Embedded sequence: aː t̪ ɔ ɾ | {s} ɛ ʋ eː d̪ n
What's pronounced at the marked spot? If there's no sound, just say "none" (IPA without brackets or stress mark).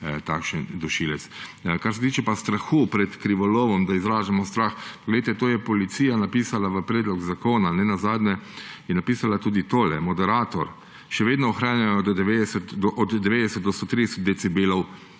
ʃ